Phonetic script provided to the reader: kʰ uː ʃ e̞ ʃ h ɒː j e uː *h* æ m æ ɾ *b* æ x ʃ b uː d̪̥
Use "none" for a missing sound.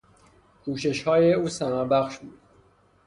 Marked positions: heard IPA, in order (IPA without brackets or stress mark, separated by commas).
s, b